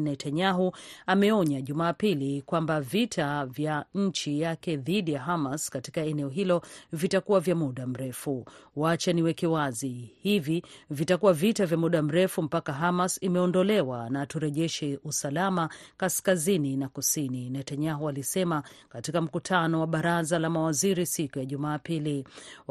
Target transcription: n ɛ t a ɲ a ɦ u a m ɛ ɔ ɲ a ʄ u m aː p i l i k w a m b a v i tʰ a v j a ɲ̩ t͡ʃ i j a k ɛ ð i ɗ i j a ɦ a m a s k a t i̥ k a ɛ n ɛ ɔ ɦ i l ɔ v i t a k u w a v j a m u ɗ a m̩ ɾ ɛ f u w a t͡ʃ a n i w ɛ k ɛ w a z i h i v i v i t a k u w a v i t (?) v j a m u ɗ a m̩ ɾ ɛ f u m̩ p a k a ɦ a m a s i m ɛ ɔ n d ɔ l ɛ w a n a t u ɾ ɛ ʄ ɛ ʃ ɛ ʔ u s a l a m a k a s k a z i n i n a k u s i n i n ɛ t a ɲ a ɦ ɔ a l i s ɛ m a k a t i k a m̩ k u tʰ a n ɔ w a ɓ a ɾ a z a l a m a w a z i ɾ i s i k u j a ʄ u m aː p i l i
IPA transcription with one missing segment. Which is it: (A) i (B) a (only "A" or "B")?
B